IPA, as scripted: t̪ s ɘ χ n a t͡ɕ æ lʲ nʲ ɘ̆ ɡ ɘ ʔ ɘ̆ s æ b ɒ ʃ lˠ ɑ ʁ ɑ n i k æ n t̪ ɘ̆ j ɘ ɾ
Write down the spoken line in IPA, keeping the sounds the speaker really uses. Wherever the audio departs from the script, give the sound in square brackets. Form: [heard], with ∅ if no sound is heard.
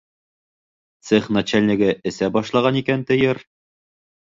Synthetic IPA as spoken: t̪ s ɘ χ n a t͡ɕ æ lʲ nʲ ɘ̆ ɡ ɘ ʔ ɘ̆ s æ b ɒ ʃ lˠ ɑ ʁ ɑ n i k æ n t̪ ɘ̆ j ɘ ɾ